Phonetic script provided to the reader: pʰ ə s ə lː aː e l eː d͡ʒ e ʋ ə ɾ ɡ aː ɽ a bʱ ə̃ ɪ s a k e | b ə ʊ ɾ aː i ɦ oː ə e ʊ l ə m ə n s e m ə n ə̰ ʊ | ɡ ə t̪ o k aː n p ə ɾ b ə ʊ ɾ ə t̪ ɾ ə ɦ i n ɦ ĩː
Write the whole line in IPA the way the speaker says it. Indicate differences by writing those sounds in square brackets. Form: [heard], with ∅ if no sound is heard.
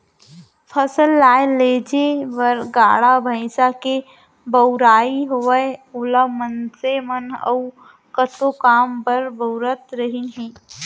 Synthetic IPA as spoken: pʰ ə s ə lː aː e l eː d͡ʒ e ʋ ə ɾ ɡ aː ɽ a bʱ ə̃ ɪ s a k e | b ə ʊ ɾ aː i ɦ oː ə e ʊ l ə m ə n s e m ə n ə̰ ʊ | [k] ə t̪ o k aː [m] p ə ɾ b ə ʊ ɾ ə t̪ ɾ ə ɦ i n ɦ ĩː